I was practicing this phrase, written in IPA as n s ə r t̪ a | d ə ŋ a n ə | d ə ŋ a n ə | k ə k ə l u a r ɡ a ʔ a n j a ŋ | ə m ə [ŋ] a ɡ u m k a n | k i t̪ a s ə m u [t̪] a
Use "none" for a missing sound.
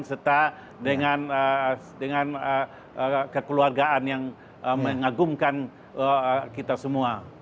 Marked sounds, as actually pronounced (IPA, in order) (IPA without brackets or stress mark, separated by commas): ŋ, none